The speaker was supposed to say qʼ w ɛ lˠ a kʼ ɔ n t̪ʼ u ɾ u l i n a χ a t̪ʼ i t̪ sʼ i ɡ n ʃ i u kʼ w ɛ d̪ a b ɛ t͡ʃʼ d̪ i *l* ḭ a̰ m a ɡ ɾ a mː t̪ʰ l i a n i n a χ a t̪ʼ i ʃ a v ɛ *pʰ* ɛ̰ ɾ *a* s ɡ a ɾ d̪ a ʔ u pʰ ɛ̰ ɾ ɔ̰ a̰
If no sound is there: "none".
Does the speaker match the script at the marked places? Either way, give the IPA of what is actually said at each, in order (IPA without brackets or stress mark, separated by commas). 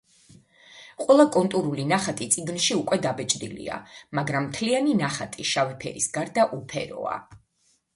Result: l, pʰ, i